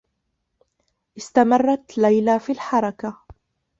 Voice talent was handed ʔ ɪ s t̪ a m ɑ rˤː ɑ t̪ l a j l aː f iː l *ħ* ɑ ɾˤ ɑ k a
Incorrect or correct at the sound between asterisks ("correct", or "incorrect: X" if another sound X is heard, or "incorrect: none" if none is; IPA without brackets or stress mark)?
correct